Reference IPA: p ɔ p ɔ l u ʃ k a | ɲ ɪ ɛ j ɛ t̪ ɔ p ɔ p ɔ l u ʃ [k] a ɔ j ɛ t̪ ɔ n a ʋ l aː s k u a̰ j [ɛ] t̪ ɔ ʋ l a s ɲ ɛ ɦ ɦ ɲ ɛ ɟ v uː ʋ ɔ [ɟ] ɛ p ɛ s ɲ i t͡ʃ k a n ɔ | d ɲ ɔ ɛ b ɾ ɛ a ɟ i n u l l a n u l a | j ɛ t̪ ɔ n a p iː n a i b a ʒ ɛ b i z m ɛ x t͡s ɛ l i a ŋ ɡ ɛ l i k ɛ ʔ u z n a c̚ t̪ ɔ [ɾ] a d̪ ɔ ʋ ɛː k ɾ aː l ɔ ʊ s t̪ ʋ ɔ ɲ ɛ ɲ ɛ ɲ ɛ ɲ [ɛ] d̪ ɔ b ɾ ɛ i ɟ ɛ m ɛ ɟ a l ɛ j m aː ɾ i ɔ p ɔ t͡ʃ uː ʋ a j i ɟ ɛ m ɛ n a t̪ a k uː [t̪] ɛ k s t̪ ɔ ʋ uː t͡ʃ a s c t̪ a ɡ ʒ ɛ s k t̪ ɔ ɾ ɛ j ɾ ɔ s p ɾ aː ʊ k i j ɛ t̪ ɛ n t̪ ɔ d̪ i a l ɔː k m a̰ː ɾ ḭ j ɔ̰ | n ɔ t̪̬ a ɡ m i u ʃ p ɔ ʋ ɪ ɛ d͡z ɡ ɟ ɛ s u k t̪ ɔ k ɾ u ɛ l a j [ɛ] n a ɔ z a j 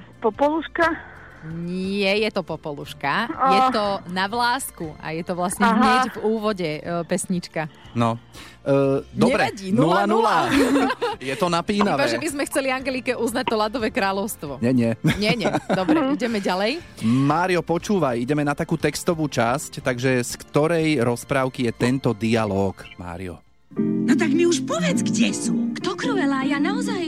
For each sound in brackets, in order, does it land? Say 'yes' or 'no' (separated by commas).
yes, yes, yes, no, yes, yes, no